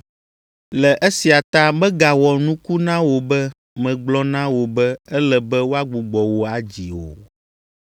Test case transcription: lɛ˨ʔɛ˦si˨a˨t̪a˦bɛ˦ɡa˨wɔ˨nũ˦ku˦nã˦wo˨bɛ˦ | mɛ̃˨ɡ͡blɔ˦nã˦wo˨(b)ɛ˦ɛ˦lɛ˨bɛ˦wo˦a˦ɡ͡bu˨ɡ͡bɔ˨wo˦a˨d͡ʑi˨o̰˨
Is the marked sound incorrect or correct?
correct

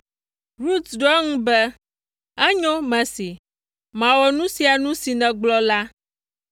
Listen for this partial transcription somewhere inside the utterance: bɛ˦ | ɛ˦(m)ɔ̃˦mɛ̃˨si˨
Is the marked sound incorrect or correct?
incorrect: ɲ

